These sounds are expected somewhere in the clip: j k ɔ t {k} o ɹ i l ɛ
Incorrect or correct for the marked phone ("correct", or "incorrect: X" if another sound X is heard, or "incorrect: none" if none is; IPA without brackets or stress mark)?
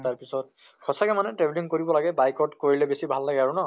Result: correct